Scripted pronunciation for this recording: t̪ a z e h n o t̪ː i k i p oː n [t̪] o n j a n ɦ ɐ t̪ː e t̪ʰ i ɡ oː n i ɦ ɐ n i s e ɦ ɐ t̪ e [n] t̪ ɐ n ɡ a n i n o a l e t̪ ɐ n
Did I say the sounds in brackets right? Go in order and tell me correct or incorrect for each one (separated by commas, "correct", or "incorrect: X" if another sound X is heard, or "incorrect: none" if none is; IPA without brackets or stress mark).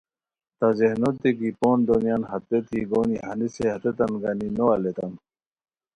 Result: incorrect: d̪, incorrect: none